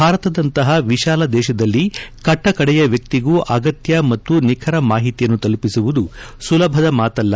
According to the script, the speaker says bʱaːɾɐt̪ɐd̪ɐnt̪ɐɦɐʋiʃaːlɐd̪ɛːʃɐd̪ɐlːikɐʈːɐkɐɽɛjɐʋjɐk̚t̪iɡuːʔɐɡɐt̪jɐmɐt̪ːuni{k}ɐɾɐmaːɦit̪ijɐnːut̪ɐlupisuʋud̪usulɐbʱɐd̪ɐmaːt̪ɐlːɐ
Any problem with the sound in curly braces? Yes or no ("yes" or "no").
yes